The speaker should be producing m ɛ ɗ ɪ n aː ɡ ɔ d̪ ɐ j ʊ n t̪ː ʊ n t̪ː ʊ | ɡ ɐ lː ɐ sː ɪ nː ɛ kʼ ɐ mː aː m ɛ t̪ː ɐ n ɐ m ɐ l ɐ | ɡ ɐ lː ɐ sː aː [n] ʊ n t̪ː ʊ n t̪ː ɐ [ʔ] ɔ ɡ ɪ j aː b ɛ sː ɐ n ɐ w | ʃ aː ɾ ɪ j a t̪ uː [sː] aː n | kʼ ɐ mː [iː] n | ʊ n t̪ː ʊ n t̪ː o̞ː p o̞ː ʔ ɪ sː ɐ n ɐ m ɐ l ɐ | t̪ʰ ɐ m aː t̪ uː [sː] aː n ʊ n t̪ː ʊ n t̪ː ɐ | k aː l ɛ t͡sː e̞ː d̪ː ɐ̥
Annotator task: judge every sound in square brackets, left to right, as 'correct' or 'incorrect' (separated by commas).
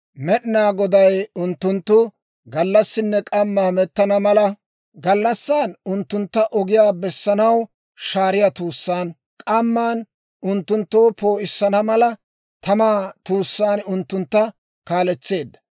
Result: correct, correct, correct, incorrect, correct